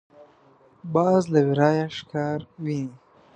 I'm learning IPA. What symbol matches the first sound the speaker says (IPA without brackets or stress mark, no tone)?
b